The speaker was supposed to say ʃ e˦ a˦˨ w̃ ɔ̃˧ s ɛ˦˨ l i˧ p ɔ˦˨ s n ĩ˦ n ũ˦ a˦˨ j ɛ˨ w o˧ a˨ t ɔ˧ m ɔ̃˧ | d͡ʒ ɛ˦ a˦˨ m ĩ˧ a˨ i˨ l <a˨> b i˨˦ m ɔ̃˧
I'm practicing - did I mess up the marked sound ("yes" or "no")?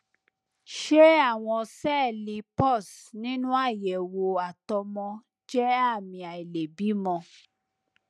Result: yes